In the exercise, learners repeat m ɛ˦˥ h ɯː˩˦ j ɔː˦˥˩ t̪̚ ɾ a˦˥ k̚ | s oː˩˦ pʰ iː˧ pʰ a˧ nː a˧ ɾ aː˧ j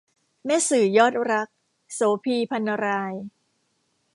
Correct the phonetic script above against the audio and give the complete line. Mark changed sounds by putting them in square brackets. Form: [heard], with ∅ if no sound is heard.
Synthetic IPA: m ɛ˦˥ [s] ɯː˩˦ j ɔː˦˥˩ t̪̚ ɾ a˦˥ k̚ | s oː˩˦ pʰ iː˧ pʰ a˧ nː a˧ ɾ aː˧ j